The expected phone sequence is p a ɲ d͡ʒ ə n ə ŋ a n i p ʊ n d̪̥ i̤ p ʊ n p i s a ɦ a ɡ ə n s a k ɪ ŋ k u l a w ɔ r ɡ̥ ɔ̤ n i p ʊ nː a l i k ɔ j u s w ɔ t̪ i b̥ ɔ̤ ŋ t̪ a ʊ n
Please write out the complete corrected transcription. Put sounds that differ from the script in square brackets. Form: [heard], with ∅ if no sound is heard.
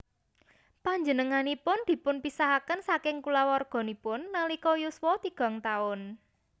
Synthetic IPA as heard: p a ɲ d͡ʒ ə n ə ŋ a n i p ʊ n d̪̥ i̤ p ʊ n p i s a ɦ a [k] ə n s a k ɪ ŋ k u l a w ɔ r ɡ̥ ɔ̤ n i p ʊ nː a l i k ɔ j u s w ɔ t̪ i [ɡ̥] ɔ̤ ŋ t̪ a ʊ n